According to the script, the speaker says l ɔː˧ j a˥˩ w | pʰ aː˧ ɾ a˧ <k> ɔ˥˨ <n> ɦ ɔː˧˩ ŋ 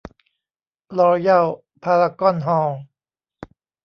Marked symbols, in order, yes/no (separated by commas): yes, yes